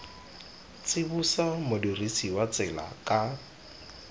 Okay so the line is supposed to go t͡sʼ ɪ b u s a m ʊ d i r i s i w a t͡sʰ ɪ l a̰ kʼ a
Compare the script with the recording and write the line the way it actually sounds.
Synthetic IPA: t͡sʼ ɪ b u s a m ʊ d i r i s i w a t͡s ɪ l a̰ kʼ a